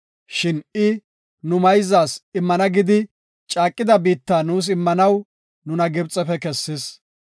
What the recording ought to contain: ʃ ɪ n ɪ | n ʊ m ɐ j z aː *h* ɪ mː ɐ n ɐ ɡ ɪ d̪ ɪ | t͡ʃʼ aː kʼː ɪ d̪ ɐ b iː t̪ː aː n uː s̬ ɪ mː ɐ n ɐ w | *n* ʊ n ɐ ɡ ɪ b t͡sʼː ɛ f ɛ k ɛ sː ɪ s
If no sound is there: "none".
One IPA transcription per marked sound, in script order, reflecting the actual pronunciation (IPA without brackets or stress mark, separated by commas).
s, n